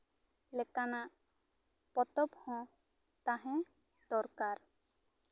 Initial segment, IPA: l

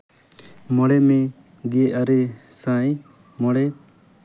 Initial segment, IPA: m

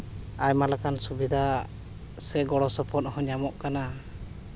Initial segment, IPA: a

